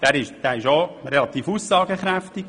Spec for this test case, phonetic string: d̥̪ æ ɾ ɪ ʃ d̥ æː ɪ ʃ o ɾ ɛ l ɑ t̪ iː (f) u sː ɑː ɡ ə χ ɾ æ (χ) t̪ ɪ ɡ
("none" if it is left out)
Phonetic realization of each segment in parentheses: f, f

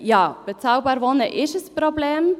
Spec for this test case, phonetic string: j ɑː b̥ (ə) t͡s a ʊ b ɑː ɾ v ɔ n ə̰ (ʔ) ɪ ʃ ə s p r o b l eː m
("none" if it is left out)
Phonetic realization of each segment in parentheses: ə, ʔ

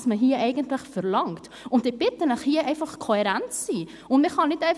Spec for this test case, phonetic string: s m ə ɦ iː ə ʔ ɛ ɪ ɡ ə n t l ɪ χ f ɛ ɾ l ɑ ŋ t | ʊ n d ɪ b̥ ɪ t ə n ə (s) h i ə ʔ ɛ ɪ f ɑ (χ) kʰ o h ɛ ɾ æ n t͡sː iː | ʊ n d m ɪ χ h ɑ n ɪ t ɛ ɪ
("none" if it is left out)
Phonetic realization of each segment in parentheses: χ, χ

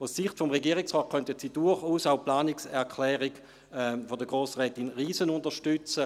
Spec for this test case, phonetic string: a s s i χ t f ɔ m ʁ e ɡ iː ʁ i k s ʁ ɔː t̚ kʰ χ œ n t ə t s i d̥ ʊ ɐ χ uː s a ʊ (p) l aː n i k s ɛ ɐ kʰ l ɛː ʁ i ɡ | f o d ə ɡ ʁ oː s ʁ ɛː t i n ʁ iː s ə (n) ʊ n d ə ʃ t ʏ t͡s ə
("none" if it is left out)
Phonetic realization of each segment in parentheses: p, n

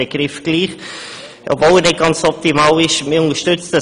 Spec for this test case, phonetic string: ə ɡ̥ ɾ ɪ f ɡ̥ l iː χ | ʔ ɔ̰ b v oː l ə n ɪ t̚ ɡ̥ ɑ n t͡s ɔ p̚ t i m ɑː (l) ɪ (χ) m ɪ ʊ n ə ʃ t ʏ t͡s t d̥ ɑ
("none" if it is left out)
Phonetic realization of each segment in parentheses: l, ʃ

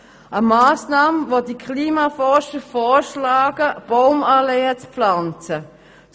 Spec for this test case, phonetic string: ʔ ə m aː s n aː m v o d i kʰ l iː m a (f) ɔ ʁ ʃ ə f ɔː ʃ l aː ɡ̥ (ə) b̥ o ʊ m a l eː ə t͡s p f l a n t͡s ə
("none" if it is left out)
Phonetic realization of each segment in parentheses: f, ə

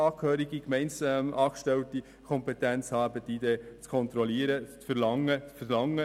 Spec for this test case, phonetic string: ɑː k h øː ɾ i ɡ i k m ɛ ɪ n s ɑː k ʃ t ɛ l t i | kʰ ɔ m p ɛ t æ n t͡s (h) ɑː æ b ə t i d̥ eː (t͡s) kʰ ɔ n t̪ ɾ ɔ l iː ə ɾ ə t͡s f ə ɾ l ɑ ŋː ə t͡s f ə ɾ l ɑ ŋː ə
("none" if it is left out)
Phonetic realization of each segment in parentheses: h, t͡s

